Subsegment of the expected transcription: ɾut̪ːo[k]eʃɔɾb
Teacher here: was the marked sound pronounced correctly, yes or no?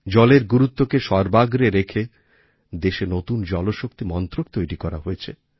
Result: yes